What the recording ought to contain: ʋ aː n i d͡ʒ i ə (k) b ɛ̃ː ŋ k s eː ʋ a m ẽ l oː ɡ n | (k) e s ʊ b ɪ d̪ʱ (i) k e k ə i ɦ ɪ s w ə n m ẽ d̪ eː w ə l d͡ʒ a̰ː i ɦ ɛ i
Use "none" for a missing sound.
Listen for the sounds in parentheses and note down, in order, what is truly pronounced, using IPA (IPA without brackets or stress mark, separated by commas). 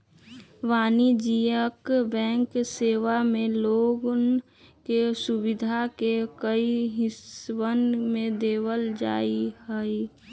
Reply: k, k, a